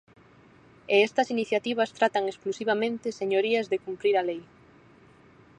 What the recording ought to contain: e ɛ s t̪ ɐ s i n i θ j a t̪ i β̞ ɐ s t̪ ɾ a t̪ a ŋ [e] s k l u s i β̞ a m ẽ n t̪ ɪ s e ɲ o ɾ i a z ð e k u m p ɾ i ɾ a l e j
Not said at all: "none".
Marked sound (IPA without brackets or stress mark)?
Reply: e